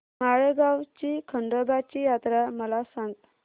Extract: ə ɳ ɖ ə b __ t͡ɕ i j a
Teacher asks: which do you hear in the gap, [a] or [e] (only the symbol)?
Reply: a